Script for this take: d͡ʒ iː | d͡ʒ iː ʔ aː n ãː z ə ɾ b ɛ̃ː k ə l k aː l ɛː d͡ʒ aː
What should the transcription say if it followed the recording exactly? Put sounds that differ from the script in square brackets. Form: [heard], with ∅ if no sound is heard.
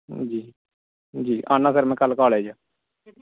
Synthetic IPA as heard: d͡ʒ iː | d͡ʒ iː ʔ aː n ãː [s] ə ɾ [m] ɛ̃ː k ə l k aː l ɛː d͡ʒ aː